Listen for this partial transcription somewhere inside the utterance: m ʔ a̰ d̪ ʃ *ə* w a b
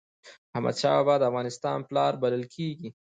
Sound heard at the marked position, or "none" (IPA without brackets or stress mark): ɑ